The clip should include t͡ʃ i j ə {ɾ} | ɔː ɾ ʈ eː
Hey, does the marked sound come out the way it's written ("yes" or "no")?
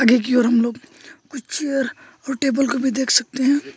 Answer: yes